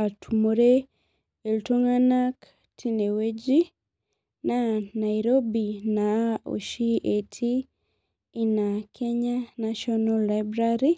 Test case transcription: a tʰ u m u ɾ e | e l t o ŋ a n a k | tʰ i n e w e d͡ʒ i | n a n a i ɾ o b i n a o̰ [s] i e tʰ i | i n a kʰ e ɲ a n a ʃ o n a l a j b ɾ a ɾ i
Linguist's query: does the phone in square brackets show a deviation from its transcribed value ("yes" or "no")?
yes